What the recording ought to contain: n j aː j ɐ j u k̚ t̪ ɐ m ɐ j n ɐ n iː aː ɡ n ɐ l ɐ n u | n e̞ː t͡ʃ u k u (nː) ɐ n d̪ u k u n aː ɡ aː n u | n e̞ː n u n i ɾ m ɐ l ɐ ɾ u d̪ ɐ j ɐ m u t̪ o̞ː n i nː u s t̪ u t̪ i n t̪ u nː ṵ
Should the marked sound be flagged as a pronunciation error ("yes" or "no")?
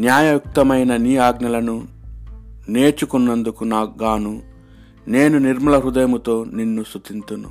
no